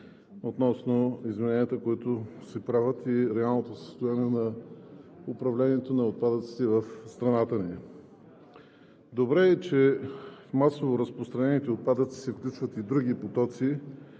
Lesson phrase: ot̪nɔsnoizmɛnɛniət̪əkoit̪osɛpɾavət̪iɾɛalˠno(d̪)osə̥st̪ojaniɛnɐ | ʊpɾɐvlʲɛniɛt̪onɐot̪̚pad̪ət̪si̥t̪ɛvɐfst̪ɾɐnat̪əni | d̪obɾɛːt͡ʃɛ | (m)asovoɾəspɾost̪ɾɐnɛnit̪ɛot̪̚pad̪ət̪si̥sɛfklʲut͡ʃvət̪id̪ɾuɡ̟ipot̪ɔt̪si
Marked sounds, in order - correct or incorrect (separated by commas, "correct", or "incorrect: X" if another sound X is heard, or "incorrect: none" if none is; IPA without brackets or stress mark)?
incorrect: t̪, correct